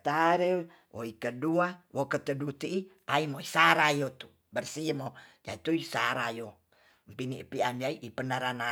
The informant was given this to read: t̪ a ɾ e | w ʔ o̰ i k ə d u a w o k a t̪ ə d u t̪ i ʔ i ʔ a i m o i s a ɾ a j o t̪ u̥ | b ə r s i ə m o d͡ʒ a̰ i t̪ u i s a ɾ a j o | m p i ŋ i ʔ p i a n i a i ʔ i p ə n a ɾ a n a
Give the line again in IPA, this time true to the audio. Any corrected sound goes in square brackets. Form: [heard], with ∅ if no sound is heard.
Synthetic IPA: t̪ a ɾ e | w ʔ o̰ i k ə d u a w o k [ə] t̪ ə d u t̪ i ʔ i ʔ a i m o i s a ɾ a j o t̪ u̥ | b ə r s i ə m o d͡ʒ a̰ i t̪ u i s a ɾ a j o | m p i [n] i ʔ p i a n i a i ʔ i p ə n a ɾ a n a